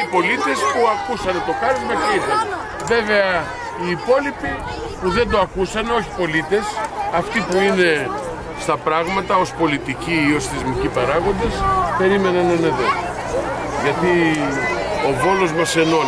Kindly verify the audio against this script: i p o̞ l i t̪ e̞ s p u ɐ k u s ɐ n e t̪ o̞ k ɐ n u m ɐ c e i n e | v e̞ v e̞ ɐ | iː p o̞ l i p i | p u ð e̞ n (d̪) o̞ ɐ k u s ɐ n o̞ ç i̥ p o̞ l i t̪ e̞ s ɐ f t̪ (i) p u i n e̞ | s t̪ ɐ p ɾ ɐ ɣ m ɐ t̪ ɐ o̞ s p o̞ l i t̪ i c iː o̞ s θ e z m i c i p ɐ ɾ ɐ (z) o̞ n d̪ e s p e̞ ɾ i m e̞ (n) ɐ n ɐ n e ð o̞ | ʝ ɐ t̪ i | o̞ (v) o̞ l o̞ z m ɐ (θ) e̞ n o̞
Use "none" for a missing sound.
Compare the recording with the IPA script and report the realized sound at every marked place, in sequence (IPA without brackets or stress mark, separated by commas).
d̪, i, ɣ, n, v, s